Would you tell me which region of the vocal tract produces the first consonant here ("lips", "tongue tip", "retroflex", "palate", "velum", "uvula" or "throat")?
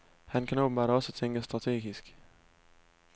throat